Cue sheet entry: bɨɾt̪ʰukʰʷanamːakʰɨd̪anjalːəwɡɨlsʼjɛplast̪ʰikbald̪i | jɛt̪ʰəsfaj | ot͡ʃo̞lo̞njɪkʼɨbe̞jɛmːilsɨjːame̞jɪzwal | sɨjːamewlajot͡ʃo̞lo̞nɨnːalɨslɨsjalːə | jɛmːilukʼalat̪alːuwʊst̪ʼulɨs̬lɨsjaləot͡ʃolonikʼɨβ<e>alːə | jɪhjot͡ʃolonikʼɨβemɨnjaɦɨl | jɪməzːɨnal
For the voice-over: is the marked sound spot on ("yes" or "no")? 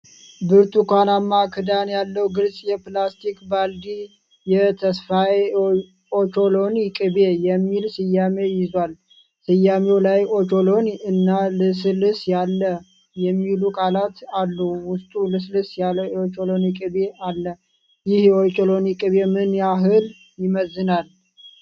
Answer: yes